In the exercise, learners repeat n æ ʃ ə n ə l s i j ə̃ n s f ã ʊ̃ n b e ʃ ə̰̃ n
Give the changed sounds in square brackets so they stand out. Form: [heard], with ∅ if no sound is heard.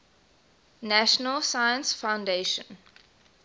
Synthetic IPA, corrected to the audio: n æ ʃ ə n ə l s [a] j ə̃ n s f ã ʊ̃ n [d] e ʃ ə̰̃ n